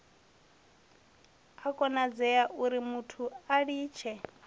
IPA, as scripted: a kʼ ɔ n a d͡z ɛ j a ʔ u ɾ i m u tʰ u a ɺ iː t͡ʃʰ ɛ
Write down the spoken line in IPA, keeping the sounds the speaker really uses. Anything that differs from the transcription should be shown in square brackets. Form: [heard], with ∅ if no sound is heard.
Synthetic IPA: a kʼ ɔ n a d͡z ɛ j a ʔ u ɾ i m u tʰ u a ɺ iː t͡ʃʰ ɛ